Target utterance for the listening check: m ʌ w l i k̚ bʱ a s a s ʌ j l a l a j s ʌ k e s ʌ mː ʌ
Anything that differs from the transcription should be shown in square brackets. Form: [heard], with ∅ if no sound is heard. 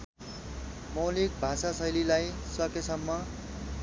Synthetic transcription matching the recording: m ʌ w l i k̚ bʱ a s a s ʌ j l [i] l a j s ʌ k e s ʌ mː ʌ